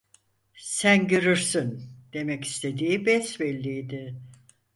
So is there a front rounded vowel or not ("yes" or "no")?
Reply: yes